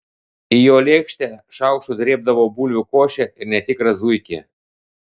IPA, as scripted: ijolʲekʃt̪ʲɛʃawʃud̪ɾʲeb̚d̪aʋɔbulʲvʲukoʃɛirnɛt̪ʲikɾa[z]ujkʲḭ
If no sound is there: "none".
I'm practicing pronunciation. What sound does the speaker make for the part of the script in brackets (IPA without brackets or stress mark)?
z